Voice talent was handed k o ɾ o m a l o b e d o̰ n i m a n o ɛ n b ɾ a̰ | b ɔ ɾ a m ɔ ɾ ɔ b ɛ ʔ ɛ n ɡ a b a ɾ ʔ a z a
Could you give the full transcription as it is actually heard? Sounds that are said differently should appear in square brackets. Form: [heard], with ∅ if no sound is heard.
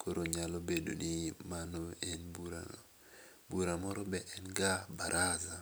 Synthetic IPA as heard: k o ɾ o [ɲ] a l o b e d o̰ n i m a n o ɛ n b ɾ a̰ | b [u] ɾ a m ɔ ɾ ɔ b ɛ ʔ ɛ n ɡ a b a ɾ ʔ a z a